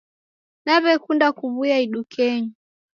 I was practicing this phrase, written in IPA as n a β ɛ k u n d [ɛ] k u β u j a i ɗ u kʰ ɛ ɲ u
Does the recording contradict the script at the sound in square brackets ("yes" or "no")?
yes